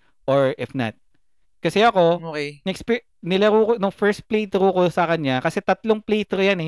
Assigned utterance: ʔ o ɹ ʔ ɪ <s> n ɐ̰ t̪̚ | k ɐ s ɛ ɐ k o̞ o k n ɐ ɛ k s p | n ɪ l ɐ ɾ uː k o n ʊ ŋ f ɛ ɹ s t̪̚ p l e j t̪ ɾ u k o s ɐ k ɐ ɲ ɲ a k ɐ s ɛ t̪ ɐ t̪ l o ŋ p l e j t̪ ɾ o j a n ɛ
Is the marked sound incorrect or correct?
incorrect